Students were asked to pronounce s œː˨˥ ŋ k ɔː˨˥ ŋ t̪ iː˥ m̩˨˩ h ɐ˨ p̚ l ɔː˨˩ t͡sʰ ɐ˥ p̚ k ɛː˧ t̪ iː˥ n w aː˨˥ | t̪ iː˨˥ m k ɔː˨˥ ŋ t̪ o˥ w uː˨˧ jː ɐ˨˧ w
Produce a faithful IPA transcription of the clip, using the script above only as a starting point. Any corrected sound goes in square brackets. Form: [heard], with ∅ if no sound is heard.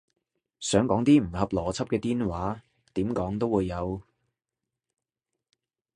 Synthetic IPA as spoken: s œː˨˥ ŋ k ɔː˨˥ ŋ t̪ iː˥ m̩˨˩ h ɐ˨ p̚ l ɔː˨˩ t͡sʰ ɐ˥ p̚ k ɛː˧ t̪ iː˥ n w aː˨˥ | t̪ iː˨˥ m k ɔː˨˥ ŋ t̪ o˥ w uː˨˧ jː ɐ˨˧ w